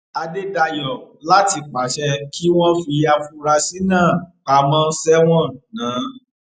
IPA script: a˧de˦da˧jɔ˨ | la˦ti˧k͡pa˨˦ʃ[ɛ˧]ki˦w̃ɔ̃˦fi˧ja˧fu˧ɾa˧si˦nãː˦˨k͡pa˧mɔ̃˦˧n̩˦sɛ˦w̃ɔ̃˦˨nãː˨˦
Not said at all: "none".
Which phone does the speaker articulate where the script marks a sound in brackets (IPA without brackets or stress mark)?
ɛ˧